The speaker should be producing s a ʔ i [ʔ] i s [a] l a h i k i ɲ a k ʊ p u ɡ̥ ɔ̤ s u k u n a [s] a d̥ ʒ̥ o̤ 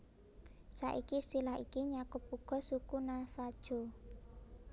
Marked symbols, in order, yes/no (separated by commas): no, no, no